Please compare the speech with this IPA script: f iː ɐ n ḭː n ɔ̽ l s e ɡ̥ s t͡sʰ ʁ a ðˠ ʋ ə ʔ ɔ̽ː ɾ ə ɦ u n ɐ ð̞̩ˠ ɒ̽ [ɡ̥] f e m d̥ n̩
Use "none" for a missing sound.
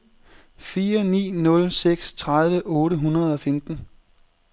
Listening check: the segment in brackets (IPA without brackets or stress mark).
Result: none